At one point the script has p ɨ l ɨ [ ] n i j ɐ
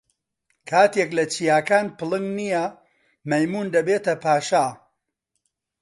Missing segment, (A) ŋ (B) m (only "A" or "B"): A